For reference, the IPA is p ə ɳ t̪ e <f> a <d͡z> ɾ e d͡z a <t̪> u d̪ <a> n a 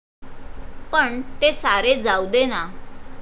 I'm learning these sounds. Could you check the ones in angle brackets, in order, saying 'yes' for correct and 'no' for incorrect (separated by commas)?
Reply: no, no, no, no